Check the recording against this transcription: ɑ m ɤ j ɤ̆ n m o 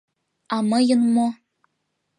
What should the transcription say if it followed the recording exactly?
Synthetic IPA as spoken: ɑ m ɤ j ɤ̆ n m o